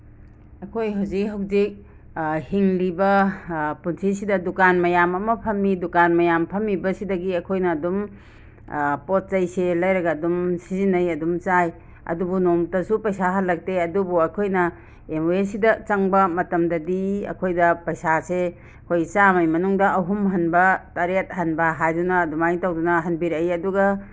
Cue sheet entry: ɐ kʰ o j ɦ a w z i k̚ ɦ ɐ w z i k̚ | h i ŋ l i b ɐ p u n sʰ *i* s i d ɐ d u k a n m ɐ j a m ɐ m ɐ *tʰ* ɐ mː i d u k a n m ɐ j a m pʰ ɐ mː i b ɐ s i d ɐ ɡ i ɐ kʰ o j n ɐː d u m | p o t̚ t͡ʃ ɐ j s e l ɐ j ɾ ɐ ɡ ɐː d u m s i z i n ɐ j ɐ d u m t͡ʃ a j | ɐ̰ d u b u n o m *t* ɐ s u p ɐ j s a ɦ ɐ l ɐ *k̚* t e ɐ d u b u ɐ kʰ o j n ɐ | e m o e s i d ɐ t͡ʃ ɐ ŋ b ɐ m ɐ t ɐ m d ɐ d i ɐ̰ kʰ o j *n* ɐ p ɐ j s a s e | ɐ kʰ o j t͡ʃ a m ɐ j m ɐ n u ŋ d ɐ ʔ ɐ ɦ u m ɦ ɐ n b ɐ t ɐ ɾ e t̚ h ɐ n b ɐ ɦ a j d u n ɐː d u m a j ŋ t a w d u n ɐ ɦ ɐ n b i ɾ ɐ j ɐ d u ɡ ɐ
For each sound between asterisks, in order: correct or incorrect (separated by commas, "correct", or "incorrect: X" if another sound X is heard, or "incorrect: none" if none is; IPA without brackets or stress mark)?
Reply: correct, incorrect: pʰ, correct, correct, incorrect: d